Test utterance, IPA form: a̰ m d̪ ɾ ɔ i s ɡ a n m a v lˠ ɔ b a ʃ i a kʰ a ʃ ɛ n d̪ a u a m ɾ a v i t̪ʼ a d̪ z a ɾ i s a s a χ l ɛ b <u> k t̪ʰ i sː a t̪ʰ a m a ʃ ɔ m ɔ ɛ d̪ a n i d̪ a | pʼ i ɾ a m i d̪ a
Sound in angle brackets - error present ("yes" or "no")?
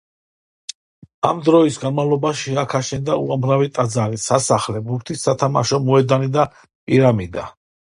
no